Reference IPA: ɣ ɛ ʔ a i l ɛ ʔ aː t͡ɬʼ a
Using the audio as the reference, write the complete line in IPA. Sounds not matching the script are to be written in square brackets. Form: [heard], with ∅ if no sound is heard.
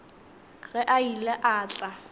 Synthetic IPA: ɣ ɛ ʔ a i l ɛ ʔ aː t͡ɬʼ a